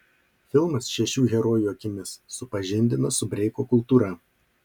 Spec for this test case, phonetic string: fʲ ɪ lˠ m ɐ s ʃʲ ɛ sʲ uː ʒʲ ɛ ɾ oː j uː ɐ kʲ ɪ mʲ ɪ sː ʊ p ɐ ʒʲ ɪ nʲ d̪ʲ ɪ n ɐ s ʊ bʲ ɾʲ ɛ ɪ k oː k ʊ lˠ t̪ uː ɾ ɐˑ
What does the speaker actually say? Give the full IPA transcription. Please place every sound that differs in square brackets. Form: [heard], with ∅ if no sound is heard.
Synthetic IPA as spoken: fʲ ɪ lˠ m ɐ s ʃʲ ɛ [ʃʲ] uː [ɣʲ] ɛ ɾ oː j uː ɐ kʲ ɪ mʲ ɪ sː ʊ p ɐ ʒʲ ɪ nʲ d̪ʲ ɪ n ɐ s ʊ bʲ ɾʲ ɛ ɪ k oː k ʊ lˠ t̪ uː ɾ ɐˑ